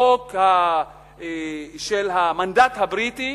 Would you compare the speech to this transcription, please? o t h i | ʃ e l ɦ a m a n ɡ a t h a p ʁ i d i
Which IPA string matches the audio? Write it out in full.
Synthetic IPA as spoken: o k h a | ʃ e l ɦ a m a n d a t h a b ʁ i t i